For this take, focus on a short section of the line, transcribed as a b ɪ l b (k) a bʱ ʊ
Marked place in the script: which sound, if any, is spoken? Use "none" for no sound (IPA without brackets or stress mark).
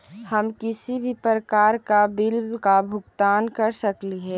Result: k